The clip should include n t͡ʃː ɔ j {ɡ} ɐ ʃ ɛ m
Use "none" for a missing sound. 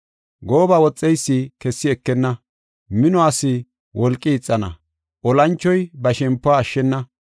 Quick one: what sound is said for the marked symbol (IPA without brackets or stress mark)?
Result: b